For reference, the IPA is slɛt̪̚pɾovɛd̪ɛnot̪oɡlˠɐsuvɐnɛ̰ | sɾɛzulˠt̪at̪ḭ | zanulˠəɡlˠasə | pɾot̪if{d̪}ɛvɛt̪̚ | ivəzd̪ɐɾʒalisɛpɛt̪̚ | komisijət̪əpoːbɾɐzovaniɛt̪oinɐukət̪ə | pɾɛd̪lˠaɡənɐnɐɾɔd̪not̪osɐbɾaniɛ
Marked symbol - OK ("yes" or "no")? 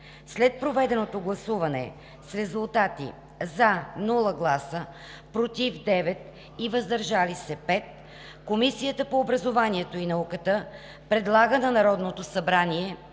yes